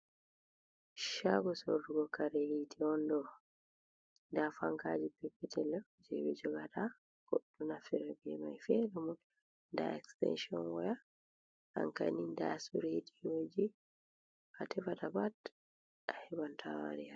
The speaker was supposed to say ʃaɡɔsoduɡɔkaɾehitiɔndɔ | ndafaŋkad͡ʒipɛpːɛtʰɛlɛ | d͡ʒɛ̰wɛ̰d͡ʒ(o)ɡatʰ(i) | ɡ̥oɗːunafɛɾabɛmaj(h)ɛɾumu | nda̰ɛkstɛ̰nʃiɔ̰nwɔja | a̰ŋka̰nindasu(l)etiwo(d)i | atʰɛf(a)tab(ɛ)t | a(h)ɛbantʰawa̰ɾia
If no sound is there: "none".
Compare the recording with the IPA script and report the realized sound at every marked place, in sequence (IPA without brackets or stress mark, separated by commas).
ɔ, a, f, ɾ, d͡ʒ, a, a, h